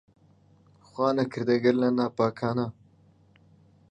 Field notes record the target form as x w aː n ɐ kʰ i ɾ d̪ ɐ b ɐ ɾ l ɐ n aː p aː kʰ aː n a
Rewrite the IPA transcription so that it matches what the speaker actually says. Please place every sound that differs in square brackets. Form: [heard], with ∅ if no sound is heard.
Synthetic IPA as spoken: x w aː n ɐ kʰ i ɾ d̪ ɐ [ɡ] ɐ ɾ l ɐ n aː p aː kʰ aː n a